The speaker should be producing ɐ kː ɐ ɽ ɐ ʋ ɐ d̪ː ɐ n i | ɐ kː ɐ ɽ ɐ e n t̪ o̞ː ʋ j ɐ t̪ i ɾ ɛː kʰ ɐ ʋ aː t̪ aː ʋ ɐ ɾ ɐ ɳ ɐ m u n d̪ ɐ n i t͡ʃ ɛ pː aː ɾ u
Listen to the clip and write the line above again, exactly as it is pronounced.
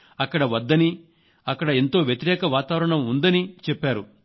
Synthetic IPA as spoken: ɐ kː ɐ ɽ ɐ ʋ ɐ d̪ː ɐ n i | ɐ kː ɐ ɽ ɐ e n t̪ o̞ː ʋ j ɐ t̪ i ɾ ɛː k ɐ ʋ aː t̪ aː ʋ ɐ ɾ ɐ ɳ ɐ m u n d̪ ɐ n i t͡ʃ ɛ pː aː ɾ u